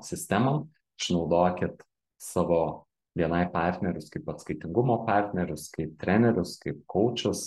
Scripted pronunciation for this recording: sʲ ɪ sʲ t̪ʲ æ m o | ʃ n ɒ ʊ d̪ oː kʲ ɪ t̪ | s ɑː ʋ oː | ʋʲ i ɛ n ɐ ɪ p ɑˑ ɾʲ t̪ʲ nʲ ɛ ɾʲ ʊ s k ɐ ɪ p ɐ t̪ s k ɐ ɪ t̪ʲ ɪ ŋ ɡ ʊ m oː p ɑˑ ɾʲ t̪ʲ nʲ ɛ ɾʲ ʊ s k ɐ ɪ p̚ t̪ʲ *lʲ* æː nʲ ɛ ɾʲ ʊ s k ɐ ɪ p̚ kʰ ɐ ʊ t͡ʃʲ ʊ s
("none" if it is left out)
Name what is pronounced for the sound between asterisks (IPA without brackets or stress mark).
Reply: ɾʲ